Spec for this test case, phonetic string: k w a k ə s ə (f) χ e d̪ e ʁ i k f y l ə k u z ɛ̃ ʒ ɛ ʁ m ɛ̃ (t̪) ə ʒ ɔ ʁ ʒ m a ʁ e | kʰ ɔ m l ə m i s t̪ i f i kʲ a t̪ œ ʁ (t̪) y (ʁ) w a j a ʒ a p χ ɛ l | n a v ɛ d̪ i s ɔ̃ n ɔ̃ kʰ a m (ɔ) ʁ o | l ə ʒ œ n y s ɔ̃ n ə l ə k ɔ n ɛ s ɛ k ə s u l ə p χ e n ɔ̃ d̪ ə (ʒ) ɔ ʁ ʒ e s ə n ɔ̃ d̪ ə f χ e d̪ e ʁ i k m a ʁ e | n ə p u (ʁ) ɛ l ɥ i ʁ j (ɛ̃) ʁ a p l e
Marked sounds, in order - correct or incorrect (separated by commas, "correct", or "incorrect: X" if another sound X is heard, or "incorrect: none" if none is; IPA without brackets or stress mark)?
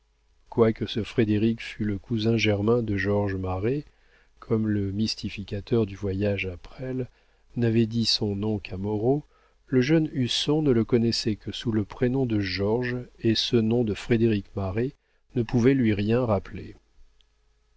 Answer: correct, incorrect: d̪, incorrect: d̪, incorrect: v, correct, correct, incorrect: v, correct